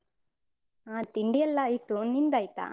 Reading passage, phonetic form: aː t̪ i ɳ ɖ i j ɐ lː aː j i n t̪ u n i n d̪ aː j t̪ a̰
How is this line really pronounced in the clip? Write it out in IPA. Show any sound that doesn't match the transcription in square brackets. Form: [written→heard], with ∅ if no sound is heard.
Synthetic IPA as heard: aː t̪ i ɳ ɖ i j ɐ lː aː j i [n→∅] t̪ u n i n d̪ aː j t̪ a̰